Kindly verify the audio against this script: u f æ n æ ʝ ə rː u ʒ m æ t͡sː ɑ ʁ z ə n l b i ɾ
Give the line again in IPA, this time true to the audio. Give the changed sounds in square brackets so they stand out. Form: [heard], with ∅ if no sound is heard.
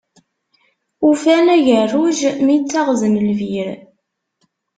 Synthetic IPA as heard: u f æ n æ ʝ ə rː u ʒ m [i] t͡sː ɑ ʁ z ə n l [v] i ɾ